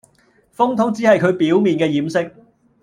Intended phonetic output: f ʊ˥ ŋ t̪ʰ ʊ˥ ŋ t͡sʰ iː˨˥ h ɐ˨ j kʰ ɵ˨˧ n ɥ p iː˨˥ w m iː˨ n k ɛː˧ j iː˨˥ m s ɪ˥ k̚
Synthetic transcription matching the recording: f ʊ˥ ŋ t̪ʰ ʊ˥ ŋ t͡s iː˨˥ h ɐ˨ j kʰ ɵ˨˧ ɥ p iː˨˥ w m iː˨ n k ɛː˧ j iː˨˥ m s ɪ˥ k̚